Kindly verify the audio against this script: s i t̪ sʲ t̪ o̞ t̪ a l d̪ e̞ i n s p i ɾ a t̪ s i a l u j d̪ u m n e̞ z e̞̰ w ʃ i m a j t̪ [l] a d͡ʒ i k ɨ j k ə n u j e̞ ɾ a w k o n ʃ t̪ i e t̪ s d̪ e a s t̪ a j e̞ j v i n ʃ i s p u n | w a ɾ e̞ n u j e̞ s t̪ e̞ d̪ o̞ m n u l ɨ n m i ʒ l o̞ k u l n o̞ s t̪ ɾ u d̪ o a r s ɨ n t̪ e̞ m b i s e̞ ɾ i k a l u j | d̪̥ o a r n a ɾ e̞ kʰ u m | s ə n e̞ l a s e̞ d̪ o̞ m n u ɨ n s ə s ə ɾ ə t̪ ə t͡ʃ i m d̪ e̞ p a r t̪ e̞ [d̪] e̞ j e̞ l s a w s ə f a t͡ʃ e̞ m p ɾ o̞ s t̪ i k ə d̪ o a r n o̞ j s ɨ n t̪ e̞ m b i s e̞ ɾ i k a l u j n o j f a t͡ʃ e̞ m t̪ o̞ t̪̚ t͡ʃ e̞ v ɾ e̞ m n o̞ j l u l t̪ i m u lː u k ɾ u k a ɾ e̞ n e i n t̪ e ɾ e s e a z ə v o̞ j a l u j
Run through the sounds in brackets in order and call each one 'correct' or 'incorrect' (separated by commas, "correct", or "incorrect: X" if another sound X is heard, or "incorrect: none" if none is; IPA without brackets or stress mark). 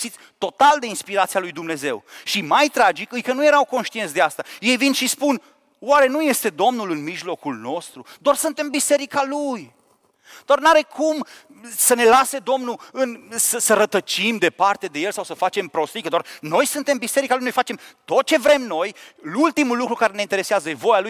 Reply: incorrect: ɾ, correct